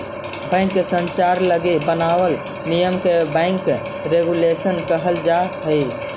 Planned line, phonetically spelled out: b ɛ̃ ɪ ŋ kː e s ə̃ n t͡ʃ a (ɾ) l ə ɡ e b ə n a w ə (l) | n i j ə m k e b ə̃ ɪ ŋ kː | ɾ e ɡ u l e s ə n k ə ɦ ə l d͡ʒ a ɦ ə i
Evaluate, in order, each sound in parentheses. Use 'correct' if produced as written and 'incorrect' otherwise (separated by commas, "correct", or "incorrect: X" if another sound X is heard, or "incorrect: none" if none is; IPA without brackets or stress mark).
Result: correct, correct